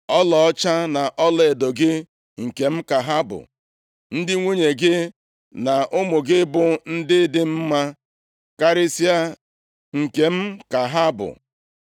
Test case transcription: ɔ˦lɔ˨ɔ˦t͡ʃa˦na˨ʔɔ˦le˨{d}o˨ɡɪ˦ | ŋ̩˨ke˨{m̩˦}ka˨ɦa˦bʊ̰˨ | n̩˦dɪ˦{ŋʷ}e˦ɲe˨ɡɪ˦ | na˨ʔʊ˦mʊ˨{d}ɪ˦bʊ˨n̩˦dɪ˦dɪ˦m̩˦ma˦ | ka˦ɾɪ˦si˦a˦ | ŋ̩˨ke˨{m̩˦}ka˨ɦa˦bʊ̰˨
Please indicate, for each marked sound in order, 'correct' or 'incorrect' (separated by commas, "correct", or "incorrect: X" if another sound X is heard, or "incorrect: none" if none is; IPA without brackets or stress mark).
correct, correct, correct, incorrect: ɡ, correct